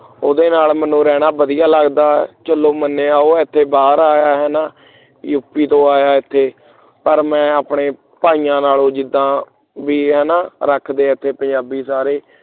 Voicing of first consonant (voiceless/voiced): voiced